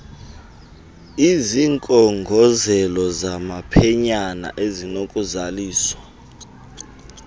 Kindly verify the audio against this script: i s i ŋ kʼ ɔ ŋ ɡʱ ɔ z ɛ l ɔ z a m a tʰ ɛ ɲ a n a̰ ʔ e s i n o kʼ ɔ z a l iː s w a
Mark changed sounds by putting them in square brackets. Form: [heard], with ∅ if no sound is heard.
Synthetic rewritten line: i [z] i ŋ kʼ ɔ ŋ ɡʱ ɔ z ɛ l ɔ z a m a [pʰ] ɛ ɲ a n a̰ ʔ e [z] i n o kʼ [u] z a l iː s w a

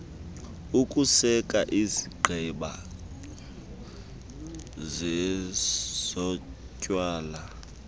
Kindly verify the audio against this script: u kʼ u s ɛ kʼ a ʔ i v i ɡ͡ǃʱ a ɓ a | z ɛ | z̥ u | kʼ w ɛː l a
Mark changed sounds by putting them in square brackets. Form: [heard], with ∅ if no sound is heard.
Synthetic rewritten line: u kʼ u s ɛ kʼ a ʔ i [z] i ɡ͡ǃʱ [ɛ] ɓ a | z ɛ | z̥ [ɔ] | [cʼ] w [aː] l a

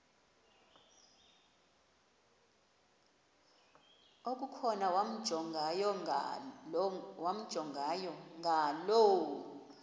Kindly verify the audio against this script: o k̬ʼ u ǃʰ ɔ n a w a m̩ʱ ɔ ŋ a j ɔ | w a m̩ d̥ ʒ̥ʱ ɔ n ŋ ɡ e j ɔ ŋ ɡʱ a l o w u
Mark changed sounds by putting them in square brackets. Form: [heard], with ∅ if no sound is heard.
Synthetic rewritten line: o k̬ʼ u [kʰ] ɔ n a w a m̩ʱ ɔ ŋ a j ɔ | w a m̩ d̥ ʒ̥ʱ ɔ [∅] ŋ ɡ [a] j ɔ ŋ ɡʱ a l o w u

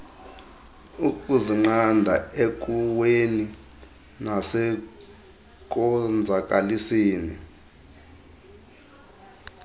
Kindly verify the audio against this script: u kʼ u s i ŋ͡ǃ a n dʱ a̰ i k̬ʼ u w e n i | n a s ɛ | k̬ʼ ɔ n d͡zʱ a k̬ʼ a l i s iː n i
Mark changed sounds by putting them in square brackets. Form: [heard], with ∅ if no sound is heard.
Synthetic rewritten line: u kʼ u [z] i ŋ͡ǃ a n dʱ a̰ [e] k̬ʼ u w e n i | n a s ɛ | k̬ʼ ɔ n d͡zʱ a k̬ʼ a l i s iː n i

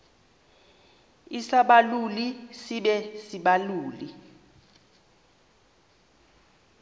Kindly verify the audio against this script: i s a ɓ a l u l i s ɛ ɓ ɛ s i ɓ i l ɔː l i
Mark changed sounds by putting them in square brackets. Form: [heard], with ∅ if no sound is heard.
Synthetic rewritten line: i s a ɓ a l u l i s [i] ɓ ɛ s i ɓ [a] l [uː] l i

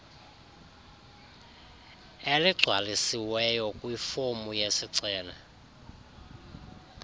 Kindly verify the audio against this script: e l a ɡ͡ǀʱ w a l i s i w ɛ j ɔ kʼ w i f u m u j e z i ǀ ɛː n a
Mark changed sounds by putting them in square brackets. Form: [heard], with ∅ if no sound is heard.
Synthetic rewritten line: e l [i] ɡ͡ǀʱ w a l i s i w ɛ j ɔ kʼ w i f [o] m u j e [s] i ǀ ɛː n a

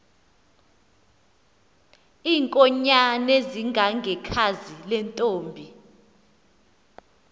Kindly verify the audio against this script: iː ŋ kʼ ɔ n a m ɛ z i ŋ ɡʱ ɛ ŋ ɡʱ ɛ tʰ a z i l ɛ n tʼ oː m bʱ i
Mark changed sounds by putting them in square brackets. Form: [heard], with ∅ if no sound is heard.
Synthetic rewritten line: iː ŋ kʼ ɔ [ɲ] a [n] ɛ z i ŋ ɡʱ [a] ŋ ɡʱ ɛ [kʰ] a z i l ɛ n tʼ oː m bʱ i

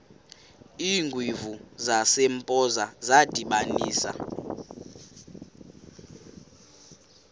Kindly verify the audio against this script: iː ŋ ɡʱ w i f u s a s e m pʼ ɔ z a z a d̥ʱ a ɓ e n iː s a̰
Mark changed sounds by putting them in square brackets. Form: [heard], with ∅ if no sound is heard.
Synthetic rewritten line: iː ŋ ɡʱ w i [v] u [z] a s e m pʼ ɔ z a z a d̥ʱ [i] ɓ [a] n iː s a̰

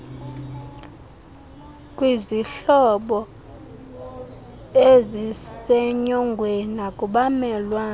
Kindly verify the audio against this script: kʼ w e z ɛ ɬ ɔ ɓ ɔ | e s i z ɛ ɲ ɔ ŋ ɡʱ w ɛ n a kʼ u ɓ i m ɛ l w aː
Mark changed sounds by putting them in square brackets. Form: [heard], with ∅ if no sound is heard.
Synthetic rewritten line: kʼ w [i] z [i] ɬ ɔ ɓ ɔ | e [z] i [s] ɛ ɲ ɔ ŋ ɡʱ w ɛ n a kʼ u ɓ [a] m ɛ l w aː

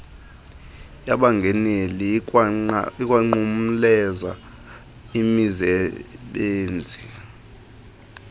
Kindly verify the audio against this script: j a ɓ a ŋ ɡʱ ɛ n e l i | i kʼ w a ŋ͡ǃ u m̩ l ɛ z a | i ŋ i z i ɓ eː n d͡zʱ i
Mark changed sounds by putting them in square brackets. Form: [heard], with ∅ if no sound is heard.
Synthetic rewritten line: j a ɓ a ŋ ɡʱ ɛ n e l i | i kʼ w a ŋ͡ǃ u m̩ l ɛ z a | i [m] i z [ɛ] ɓ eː n d͡zʱ i

